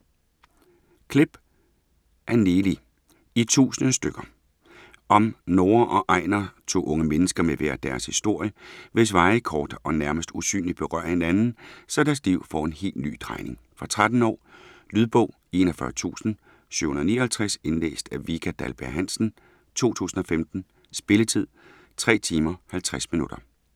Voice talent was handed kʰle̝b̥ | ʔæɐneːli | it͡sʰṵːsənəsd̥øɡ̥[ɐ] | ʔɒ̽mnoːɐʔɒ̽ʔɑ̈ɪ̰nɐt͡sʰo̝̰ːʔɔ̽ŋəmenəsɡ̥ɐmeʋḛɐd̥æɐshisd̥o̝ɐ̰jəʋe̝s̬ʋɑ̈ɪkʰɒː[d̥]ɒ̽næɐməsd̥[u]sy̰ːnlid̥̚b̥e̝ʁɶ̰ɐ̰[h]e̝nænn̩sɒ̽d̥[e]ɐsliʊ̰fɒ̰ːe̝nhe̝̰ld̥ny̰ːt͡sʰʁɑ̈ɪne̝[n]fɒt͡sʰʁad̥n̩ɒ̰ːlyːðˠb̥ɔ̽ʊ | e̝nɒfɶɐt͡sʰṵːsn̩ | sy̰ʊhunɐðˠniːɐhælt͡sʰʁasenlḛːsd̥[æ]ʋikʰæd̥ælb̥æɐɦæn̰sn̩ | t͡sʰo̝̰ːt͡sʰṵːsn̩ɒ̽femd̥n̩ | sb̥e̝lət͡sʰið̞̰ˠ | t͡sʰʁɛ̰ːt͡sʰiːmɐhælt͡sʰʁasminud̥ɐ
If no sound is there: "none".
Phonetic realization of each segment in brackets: ɐ, d̥, u, h, æ, ŋ, æ

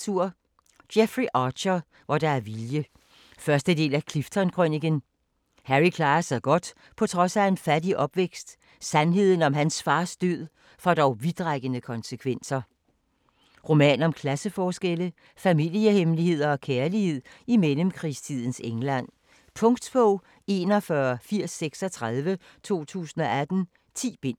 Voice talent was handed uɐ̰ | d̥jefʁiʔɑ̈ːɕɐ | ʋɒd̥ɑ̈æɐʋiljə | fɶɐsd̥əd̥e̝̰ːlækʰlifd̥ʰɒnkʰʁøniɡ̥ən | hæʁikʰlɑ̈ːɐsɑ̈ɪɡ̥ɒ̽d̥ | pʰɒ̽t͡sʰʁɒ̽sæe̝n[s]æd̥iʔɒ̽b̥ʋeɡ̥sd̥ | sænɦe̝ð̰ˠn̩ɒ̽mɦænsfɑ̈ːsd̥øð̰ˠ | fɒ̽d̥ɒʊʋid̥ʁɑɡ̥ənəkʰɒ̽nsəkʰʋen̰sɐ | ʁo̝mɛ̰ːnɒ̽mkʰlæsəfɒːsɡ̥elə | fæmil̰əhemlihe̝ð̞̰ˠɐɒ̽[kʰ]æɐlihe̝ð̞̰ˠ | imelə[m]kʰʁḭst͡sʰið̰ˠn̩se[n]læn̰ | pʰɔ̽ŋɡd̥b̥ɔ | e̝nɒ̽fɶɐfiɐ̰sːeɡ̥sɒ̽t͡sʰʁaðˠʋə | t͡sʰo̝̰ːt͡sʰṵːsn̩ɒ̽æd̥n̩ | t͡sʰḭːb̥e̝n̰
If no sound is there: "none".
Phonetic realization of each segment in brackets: f, kʰ, m, ŋ

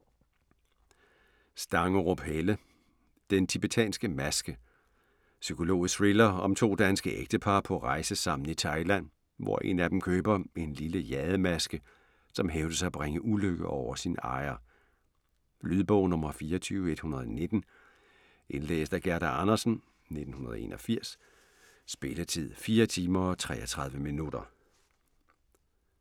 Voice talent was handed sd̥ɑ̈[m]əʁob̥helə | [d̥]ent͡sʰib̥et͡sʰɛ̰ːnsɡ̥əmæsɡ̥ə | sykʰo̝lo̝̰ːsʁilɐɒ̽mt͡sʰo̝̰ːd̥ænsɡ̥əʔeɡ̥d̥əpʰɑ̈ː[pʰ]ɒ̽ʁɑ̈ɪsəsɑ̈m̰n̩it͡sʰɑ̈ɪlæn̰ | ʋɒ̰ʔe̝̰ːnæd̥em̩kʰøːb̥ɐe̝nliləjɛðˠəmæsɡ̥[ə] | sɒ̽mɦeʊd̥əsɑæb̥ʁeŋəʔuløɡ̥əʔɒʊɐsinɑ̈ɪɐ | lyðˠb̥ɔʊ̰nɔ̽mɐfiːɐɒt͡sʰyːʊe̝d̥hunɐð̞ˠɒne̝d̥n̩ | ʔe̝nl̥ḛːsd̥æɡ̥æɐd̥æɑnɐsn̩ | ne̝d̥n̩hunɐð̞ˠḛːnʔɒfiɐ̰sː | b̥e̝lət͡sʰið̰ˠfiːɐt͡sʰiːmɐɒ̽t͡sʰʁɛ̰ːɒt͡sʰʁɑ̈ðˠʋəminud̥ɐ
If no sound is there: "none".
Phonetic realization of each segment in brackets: ŋ, d̥, pʰ, ə

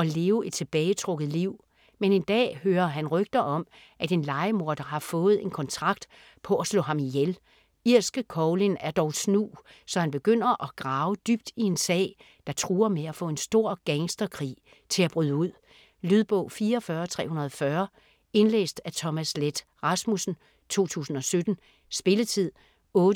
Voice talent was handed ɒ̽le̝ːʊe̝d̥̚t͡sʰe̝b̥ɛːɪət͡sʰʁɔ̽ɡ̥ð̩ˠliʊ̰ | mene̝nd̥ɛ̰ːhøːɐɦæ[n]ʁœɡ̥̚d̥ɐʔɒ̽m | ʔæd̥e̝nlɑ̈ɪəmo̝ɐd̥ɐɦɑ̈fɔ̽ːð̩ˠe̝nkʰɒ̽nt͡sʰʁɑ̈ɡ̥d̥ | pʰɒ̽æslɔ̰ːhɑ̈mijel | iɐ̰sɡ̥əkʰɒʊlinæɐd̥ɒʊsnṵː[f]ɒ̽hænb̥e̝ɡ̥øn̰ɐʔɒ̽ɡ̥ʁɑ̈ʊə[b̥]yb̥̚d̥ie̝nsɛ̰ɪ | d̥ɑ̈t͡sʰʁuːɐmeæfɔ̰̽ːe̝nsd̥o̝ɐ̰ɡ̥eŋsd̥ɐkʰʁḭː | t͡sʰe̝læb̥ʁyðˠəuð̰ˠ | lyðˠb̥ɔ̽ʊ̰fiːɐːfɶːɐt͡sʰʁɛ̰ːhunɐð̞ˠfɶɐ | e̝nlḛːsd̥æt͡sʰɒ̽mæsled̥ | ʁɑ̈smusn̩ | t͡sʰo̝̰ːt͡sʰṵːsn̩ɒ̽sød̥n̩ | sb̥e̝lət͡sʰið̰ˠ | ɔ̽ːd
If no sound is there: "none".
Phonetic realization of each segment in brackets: n, s, d̥

